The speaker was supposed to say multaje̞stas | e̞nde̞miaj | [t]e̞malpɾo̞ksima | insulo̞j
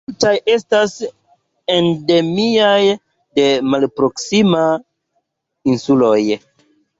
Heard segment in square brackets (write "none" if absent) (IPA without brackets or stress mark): d